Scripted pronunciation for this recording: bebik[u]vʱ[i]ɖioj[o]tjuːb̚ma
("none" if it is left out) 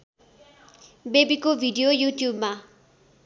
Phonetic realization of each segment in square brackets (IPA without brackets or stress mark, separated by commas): o, i, u